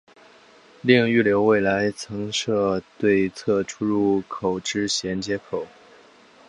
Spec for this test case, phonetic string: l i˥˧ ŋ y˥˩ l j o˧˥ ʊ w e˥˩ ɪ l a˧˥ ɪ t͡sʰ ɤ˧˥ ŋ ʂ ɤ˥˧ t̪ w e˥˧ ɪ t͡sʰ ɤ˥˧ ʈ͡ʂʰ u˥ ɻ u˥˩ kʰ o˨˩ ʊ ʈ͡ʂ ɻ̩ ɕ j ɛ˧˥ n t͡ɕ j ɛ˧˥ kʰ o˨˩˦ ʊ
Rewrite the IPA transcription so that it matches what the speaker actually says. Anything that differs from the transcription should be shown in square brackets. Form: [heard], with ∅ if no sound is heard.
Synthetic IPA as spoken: l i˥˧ ŋ y˥˩ l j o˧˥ ʊ w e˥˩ ɪ l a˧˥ ɪ t͡sʰ ɤ˧˥ ŋ ʂ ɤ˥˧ t̪ w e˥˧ ɪ t͡sʰ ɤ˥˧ ʈ͡ʂʰ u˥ ɻ u˥˩ kʰ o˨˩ ʊ ʈ͡ʂ ɻ̩ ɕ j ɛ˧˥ n t͡ɕ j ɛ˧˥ kʰ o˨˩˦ ʊ